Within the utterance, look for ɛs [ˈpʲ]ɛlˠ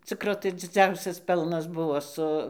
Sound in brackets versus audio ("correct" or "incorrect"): correct